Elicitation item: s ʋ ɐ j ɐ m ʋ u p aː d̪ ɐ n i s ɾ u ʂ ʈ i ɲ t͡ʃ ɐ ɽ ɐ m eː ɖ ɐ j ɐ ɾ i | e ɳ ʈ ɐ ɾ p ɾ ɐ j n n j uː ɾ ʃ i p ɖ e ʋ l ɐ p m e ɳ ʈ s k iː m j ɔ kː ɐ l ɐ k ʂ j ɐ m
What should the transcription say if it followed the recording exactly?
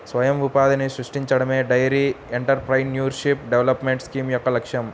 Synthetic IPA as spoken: s ʋ ɐ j ɐ m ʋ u p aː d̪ ɐ n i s ɾ u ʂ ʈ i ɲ t͡ʃ ɐ ɽ ɐ m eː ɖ ɐ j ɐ ɾ i | e ɳ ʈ ɐ ɾ p ɾ ɐ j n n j uː ɾ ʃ i p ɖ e ʋ l ɐ p m e ɳ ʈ s k iː m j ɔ kː ɐ l ɐ k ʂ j ɐ m

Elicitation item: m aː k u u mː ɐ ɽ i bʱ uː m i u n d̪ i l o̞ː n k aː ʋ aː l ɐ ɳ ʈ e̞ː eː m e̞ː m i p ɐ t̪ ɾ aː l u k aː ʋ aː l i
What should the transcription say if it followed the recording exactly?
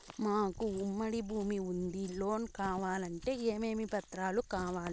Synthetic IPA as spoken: m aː k u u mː ɐ ɽ i bʱ uː m i u n d̪ i l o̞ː n k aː ʋ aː l ɐ ɳ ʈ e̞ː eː m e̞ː m i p ɐ t̪ ɾ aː l u k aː ʋ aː l i

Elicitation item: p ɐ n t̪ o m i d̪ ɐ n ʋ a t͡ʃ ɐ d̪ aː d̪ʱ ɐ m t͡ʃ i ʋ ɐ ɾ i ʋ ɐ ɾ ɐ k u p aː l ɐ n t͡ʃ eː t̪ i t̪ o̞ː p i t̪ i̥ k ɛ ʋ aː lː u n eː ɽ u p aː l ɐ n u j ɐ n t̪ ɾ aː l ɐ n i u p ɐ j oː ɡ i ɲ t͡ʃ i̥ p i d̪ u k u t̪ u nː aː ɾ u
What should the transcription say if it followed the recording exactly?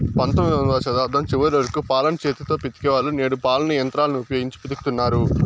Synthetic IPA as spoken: p ɐ n t̪ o m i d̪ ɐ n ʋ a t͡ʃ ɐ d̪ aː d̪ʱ ɐ m t͡ʃ i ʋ ɐ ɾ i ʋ ɐ ɾ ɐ k u p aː l ɐ n t͡ʃ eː t̪ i t̪ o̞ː p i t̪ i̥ k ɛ ʋ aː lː u n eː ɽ u p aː l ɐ n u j ɐ n t̪ ɾ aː l ɐ n i u p ɐ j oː ɡ i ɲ t͡ʃ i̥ p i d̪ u k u t̪ u nː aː ɾ u

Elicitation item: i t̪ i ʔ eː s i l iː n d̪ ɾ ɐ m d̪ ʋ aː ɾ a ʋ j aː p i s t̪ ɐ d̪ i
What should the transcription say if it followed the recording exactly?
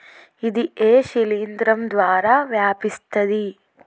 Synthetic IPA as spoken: i d̪ i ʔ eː ʃ i l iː n d̪ ɾ ɐ m d̪ ʋ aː ɾ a ʋ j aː p i s t̪ ɐ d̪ i

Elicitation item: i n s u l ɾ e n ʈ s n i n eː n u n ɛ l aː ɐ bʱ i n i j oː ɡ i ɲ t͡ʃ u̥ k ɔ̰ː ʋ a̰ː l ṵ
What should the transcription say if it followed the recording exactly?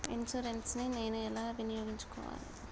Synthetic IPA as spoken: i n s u ɾ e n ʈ s n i n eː n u ɛ l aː ɐ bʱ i n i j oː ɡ i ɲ t͡ʃ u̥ k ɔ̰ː ʋ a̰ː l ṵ

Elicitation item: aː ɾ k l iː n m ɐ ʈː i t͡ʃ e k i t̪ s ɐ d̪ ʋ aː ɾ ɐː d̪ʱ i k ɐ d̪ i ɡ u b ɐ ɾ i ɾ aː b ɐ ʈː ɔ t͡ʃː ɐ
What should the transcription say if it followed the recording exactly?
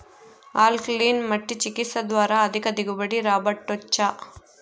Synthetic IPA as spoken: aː l k l iː n m ɐ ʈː i t͡ʃ i k i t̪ s ɐ d̪ ʋ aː ɾ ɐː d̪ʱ i k ɐ d̪ i ɡ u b ɐ ɽ i ɾ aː b ɐ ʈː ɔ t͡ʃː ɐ

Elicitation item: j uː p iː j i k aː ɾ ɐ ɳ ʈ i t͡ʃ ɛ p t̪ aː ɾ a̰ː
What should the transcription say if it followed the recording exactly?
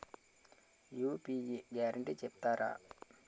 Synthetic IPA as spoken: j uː p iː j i ɡ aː ɾ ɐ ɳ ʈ i t͡ʃ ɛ p t̪ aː ɾ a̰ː

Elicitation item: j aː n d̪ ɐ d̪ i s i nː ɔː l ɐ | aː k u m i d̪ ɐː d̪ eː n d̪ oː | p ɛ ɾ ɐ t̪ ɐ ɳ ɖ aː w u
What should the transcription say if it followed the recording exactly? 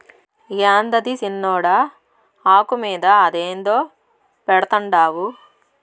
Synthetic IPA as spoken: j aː n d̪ ɐ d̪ i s i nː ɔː ɽ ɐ | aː k u m iː d̪ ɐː d̪ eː n d̪ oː | p ɛ ɽ ɐ t̪ ɐ ɳ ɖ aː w u

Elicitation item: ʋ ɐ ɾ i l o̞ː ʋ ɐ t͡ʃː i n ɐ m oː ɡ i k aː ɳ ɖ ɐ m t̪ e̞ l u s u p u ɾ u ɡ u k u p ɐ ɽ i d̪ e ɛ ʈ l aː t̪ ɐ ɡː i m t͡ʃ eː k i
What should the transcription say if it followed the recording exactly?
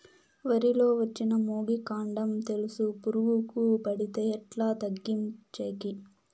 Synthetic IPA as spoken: ʋ ɐ ɾ i l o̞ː ʋ ɐ t͡ʃː i n ɐ m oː ɡ i k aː ɳ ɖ ɐ m t̪ e̞ l u s u p u ɾ u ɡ u k u p ɐ ɽ i t̪ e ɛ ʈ l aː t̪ ɐ ɡː i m t͡ʃ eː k i

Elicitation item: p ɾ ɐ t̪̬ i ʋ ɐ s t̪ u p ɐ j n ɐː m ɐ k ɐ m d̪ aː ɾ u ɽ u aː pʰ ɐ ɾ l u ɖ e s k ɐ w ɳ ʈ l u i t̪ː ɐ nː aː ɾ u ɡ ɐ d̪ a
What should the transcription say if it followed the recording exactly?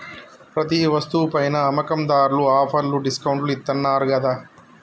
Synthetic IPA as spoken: p ɾ ɐ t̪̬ i ʋ ɐ s t̪ u p ɐ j n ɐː m ɐ k ɐ m d̪ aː ɾ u l u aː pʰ ɐ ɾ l u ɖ i s k ɐ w ɳ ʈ l u i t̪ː ɐ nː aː ɾ u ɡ ɐ d̪ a

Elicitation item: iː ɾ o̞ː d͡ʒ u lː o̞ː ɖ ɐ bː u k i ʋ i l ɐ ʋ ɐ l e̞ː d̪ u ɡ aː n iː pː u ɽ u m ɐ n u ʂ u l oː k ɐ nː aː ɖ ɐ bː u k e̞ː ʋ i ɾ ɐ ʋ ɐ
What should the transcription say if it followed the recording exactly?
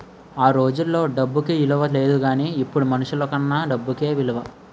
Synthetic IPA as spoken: aː ɾ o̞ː d͡ʒ u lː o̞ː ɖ ɐ bː u k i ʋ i l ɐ ʋ ɐ l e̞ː d̪ u ɡ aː n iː pː u ɽ u m ɐ n u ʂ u l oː k ɐ nː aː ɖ ɐ bː u k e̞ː ʋ i l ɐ ʋ ɐ

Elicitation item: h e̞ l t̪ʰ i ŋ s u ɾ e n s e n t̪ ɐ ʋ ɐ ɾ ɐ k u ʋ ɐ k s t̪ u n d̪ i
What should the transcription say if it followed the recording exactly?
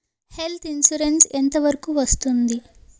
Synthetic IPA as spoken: h e̞ l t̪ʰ i n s u ɾ e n s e n t̪ ɐ ʋ ɐ ɾ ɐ k u ʋ ɐ s t̪ u n d̪ i

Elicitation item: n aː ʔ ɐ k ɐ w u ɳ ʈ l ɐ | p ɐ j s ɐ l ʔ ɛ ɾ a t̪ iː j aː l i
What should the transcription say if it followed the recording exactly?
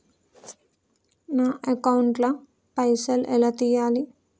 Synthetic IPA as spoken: n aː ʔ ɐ k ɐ w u ɳ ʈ l ɐ | p ɐ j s ɐ l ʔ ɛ l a t̪ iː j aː l i

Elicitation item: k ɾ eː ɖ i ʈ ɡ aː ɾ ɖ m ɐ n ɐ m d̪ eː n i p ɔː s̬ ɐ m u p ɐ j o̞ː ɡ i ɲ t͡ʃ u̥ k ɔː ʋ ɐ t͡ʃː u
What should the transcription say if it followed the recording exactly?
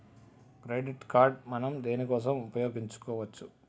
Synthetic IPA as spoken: k ɾ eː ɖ i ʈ k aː ɾ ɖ m ɐ n ɐ m d̪ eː n i k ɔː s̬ ɐ m u p ɐ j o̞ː ɡ i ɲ t͡ʃ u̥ k ɔː ʋ ɐ t͡ʃː u

